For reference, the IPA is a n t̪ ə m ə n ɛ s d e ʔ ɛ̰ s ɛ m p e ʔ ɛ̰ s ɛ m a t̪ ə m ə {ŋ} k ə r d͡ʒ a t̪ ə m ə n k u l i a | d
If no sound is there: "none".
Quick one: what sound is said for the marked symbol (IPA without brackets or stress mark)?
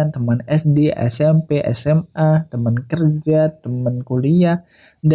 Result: n